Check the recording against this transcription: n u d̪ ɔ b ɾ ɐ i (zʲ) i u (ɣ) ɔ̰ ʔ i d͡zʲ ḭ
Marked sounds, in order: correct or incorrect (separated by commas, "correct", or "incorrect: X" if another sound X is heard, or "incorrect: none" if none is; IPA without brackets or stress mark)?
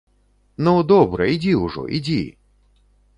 incorrect: d͡zʲ, incorrect: ʐ